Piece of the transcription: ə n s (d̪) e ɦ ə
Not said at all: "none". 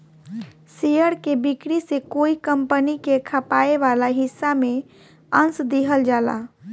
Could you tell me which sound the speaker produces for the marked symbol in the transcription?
d̪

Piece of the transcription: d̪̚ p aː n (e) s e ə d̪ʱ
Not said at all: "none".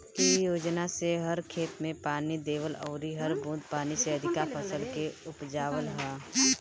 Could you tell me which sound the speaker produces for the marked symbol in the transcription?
i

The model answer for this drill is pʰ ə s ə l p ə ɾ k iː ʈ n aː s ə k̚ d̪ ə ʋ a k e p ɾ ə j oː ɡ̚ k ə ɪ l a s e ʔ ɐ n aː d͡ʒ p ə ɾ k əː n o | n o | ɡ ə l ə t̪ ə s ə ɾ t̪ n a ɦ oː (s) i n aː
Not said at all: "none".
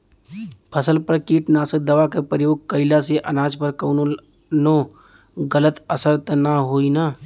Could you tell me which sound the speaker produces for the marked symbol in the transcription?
none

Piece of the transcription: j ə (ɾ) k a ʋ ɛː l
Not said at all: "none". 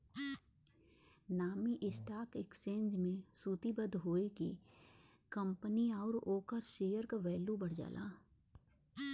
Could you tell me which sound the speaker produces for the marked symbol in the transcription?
ɾ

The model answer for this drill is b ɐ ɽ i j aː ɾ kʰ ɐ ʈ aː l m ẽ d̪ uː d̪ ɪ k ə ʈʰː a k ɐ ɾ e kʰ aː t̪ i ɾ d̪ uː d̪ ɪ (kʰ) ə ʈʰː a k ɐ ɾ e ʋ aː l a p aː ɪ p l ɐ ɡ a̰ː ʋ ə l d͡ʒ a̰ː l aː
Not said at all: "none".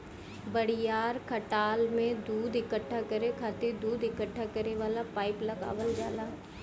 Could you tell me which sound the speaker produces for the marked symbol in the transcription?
k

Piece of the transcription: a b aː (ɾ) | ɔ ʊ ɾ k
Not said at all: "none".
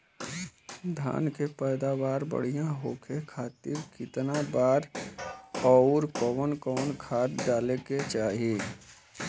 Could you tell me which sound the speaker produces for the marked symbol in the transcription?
ɾ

